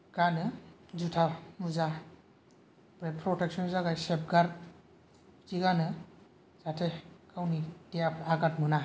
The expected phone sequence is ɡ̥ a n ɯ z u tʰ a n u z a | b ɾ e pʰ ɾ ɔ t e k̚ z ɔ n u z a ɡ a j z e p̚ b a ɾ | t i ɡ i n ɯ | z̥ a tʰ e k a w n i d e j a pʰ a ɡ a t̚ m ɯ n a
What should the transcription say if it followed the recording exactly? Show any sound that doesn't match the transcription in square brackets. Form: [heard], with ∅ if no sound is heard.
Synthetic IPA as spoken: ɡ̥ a n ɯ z u tʰ a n u z a | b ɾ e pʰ ɾ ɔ t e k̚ [s] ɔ n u z a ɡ a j [s] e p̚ [ɡ] a ɾ | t i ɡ [a] n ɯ | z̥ a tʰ e k a w n i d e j a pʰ a ɡ a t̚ m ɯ n a